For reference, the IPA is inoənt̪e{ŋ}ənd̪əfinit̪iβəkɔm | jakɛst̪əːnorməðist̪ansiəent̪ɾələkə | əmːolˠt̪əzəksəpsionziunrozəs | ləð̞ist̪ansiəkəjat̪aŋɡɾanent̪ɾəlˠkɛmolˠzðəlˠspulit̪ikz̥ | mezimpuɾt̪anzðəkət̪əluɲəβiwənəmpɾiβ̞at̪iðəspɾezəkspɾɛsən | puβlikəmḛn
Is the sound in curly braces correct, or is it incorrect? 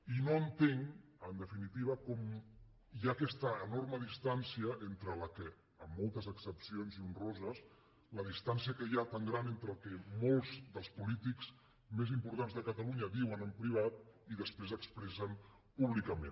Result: correct